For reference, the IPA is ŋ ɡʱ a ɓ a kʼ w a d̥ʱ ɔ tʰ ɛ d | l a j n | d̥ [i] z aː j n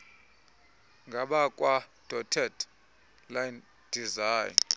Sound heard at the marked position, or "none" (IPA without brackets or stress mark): i